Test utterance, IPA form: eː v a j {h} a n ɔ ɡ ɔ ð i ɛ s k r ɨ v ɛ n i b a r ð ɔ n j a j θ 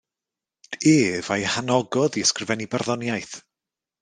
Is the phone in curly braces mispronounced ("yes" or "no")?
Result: no